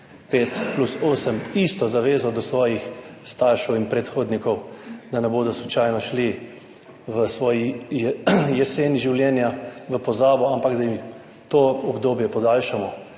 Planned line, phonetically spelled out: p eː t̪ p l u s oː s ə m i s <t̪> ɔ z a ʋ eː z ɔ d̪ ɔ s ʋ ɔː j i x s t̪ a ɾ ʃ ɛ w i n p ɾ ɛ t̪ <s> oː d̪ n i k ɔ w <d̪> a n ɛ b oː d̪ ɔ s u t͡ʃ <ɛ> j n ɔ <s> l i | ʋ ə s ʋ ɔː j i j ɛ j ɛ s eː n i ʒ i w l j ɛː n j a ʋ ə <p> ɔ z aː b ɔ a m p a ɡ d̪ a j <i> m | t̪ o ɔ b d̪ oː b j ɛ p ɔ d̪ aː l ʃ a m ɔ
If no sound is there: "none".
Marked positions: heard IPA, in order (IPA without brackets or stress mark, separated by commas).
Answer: t̪, x, d̪, a, ʃ, p, i